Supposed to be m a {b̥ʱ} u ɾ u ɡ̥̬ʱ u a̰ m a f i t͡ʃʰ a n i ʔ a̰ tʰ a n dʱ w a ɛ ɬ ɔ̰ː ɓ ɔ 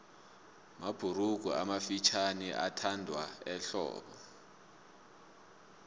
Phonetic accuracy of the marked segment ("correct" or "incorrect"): correct